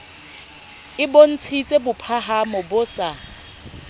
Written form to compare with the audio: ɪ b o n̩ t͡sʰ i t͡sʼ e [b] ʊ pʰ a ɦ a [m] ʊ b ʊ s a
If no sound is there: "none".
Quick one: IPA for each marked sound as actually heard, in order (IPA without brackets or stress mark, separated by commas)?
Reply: b, m